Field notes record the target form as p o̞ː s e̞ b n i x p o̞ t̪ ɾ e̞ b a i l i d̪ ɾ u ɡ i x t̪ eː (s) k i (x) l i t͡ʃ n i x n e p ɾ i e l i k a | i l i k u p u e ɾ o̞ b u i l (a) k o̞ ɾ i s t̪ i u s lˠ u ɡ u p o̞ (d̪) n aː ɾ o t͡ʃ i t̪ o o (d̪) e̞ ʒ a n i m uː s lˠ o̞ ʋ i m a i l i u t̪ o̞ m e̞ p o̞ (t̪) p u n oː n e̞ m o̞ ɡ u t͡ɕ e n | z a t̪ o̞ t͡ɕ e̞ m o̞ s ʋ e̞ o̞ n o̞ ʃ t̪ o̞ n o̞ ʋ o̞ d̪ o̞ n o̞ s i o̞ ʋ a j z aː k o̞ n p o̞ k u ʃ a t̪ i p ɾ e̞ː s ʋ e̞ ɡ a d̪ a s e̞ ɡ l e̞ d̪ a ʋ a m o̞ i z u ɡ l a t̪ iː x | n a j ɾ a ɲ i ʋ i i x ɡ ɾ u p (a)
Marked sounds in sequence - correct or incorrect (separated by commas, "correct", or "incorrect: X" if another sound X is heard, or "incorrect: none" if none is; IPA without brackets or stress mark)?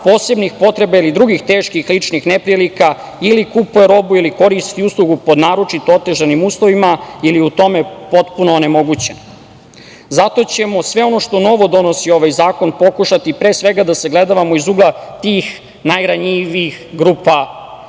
incorrect: ʃ, correct, incorrect: i, correct, incorrect: t̪, correct, correct